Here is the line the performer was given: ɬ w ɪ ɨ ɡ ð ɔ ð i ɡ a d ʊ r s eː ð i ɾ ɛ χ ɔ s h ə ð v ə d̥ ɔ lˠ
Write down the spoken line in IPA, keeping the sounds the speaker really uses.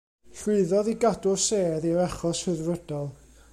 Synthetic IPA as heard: ɬ w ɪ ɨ ð ɔ ð i ɡ a d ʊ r s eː ð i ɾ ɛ χ ɔ s h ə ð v ə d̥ ɔ lˠ